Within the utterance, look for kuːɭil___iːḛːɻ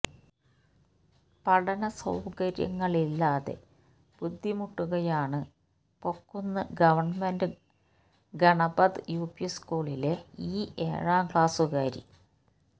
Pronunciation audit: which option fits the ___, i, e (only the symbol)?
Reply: e